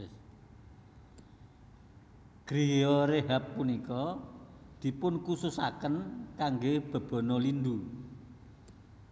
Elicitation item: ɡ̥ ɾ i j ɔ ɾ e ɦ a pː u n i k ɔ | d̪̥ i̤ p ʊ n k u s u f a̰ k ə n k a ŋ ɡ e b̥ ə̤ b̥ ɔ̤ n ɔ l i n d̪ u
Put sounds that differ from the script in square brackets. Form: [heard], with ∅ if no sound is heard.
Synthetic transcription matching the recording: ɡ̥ ɾ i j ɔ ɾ e ɦ a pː u n i k ɔ | d̪̥ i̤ p ʊ n k u s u [s] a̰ k ə n k a ŋ ɡ e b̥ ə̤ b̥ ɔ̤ n ɔ l i n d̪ u